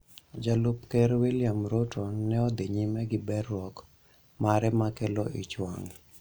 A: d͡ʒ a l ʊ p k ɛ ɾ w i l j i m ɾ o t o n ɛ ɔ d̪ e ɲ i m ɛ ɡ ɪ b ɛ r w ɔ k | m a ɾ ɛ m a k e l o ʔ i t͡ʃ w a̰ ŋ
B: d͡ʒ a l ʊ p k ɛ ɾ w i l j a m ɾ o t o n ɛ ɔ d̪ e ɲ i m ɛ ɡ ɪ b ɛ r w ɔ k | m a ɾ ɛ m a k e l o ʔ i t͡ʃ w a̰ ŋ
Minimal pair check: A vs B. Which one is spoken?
B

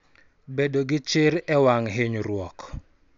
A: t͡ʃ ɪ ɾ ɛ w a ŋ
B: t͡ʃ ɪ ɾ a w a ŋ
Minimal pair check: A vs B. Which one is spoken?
A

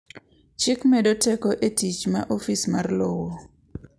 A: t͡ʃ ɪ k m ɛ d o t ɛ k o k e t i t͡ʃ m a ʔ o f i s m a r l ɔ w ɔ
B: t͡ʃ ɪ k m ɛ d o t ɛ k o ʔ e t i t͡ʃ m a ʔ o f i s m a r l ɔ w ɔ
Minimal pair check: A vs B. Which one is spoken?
B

